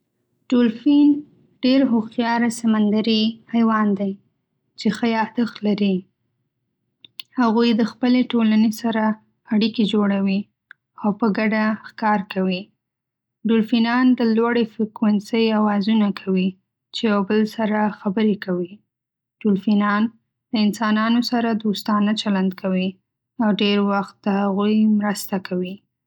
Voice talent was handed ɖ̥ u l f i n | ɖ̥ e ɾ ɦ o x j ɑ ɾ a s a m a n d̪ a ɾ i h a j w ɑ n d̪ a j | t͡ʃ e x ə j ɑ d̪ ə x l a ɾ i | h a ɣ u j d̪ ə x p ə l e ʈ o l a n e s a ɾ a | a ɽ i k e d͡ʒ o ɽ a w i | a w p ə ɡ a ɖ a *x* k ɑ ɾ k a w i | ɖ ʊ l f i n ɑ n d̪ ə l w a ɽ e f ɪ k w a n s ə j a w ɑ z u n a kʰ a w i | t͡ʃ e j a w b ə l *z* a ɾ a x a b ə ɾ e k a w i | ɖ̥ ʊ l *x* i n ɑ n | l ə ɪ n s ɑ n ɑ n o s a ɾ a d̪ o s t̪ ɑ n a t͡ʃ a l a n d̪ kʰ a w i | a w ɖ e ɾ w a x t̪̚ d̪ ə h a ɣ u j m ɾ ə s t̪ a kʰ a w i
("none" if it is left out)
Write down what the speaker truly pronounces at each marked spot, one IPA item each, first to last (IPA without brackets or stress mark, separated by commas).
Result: x, s, f